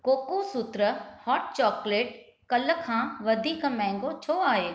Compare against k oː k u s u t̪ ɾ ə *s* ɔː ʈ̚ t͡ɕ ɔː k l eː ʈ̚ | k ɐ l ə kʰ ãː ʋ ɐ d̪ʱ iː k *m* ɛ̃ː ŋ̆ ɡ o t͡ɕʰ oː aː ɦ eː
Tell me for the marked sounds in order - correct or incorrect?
incorrect, correct

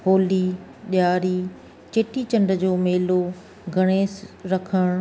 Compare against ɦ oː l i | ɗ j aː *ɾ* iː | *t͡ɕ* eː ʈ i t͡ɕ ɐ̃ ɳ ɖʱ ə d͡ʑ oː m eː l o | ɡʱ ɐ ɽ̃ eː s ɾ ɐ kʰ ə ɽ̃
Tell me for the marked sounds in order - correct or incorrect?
correct, correct

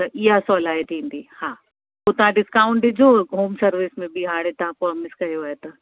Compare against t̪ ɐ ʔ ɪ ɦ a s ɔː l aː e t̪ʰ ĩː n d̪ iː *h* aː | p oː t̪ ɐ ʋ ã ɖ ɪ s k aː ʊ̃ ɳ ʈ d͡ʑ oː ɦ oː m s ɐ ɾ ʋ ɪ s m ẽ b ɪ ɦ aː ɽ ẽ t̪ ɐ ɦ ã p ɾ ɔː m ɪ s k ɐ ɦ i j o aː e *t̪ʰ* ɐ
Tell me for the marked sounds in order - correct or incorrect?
correct, incorrect

